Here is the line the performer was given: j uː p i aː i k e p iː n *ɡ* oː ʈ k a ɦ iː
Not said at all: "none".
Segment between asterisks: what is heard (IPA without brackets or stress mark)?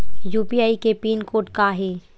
k